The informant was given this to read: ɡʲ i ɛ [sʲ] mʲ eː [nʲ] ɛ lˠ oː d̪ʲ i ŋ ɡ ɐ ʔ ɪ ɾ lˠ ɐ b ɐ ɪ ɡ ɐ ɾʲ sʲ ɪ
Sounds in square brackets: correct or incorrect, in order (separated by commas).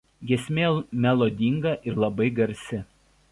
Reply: correct, incorrect